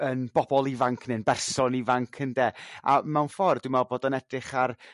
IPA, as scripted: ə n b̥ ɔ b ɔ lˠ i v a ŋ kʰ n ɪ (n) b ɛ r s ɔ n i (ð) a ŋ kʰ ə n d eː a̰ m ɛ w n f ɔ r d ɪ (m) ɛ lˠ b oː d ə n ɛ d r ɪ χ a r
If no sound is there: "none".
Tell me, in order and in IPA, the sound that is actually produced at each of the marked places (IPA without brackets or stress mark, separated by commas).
n, v, m